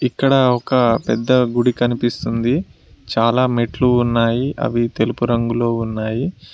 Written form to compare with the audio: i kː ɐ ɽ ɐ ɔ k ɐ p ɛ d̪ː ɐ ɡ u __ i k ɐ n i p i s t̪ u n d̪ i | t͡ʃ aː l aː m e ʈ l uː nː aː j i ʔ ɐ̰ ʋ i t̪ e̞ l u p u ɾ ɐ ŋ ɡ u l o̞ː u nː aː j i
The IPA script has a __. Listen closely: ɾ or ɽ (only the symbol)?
ɽ